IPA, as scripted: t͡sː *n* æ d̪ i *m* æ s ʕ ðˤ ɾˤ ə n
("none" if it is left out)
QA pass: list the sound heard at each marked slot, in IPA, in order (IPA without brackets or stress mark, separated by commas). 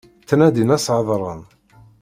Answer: n, n